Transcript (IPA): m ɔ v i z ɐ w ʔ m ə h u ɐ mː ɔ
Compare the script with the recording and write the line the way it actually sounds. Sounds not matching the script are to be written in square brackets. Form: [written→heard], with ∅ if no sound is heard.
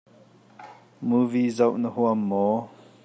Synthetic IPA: m [ɔ→u] v i z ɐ w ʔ [m→n] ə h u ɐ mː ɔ